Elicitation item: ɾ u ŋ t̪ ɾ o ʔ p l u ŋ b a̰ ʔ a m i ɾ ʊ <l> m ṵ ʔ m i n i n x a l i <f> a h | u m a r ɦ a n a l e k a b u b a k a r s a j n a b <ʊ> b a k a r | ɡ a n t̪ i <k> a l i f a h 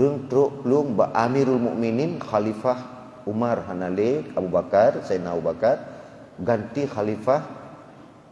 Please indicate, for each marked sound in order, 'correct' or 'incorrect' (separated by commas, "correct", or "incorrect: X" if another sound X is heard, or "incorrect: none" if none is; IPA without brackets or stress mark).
correct, correct, incorrect: u, incorrect: x